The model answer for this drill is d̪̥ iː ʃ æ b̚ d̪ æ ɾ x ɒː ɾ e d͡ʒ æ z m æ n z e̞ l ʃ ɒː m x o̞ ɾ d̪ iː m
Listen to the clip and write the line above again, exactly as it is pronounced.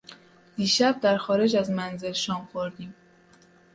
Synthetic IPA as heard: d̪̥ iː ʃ æ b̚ d̪ æ ɾ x ɒː ɾ e d͡ʒ æ z m æ n z e̞ l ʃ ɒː m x o̞ ɾ d̪ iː m